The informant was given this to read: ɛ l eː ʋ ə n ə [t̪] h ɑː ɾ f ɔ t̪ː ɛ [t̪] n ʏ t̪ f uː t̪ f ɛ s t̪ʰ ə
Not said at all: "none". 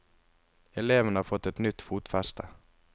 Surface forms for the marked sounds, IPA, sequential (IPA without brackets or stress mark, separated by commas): none, t̪